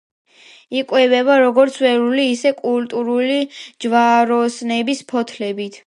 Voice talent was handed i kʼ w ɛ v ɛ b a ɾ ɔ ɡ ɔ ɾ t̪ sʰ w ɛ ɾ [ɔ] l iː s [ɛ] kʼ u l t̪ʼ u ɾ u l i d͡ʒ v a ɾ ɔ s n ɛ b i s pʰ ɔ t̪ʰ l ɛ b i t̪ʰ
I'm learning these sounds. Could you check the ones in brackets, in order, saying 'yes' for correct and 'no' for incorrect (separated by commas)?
no, yes